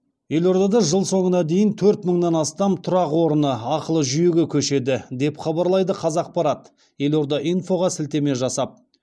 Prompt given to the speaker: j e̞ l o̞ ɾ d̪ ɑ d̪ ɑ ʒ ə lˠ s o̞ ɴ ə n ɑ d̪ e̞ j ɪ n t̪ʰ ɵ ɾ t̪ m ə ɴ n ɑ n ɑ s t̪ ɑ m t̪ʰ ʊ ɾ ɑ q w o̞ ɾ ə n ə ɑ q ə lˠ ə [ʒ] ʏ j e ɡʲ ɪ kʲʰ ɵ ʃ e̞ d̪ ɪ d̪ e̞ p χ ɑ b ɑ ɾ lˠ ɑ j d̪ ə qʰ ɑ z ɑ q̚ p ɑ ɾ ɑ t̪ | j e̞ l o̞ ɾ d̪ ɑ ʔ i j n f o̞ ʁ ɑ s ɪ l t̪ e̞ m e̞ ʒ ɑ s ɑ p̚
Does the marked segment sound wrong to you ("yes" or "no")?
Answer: no